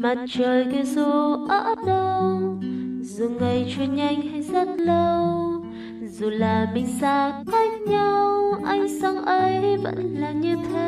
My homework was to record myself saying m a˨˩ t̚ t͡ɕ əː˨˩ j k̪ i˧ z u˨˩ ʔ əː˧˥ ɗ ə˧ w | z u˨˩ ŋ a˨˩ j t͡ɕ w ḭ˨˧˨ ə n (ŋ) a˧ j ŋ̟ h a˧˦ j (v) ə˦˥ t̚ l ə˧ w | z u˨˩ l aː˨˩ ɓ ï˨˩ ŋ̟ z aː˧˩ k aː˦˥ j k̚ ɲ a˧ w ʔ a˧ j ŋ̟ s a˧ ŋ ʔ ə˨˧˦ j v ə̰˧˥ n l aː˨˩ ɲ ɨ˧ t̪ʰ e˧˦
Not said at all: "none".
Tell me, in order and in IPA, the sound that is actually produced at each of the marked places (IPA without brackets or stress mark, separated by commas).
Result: ɲ, z